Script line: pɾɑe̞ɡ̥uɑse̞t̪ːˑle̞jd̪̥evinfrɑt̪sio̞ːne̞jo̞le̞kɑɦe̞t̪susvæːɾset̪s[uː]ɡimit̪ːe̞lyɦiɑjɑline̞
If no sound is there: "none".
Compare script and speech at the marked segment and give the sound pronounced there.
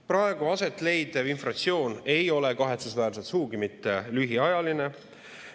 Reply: uː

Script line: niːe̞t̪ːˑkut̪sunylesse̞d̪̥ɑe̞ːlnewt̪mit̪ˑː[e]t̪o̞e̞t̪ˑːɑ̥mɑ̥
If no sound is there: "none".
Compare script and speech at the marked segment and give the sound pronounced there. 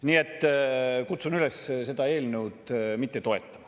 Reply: e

